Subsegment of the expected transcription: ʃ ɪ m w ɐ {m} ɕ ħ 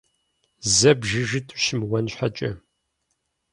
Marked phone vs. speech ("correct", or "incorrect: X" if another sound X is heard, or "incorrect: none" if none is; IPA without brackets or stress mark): incorrect: n